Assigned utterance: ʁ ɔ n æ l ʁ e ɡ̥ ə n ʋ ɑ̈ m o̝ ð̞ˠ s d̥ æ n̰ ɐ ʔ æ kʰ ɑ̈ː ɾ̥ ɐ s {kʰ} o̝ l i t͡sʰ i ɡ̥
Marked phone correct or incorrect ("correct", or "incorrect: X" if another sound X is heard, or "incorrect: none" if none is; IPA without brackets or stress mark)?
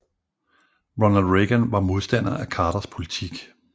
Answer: incorrect: pʰ